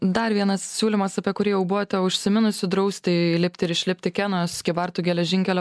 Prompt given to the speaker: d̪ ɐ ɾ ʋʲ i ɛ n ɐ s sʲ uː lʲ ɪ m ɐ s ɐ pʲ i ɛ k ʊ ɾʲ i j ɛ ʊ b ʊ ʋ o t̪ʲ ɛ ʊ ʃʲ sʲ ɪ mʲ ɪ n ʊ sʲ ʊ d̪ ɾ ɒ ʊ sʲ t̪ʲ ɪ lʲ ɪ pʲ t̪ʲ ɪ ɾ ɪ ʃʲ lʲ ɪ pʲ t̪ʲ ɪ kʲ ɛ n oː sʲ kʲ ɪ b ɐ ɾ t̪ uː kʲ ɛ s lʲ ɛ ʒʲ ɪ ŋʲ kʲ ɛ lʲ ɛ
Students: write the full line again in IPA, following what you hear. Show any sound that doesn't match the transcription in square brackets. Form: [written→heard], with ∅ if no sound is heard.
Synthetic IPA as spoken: d̪ ɐ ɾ ʋʲ i ɛ n ɐ s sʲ uː lʲ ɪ m ɐ s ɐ pʲ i ɛ k ʊ ɾʲ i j ɛ ʊ b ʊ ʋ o t̪ʲ ɛ ʊ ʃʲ sʲ ɪ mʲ ɪ n ʊ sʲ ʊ d̪ ɾ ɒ ʊ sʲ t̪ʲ ɪ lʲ ɪ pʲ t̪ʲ ɪ ɾ ɪ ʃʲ lʲ ɪ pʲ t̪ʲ ɪ kʲ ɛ n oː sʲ kʲ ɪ b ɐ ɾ t̪ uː [kʲ→ɡʲ] ɛ [s→∅] lʲ ɛ ʒʲ ɪ ŋʲ kʲ ɛ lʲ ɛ